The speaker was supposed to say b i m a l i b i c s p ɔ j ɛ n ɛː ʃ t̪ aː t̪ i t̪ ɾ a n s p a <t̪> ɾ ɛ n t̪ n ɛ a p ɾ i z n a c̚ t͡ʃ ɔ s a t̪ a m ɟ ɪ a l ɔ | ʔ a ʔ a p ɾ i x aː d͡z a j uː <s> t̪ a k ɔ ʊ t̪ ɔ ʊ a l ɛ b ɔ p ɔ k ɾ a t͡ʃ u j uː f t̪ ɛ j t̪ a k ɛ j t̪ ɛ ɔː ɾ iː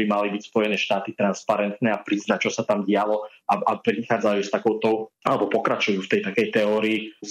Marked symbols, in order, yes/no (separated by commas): no, yes